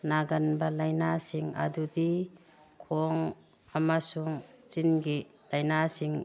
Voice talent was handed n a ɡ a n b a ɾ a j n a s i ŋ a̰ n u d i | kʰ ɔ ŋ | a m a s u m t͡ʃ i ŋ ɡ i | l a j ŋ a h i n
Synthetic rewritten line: n a ɡ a n b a l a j n a s i ŋ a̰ d u d i | kʰ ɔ ŋ | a m a s u ŋ t͡ʃ i n ɡ i | l a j n a s i ŋ